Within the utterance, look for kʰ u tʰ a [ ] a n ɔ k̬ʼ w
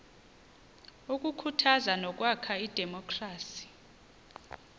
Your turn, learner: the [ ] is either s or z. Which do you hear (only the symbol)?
z